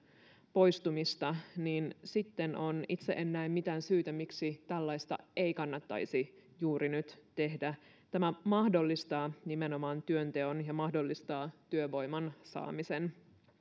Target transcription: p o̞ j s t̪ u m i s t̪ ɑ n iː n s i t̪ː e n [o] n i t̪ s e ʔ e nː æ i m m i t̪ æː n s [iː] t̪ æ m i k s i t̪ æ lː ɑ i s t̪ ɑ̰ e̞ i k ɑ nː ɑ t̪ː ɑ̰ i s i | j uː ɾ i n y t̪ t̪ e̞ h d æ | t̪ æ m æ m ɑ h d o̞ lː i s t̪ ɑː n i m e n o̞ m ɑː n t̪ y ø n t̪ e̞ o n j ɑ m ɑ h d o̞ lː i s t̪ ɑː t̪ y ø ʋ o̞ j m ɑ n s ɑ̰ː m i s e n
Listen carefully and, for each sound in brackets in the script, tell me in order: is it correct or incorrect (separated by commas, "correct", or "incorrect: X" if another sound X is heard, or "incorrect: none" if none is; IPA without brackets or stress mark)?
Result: correct, incorrect: yː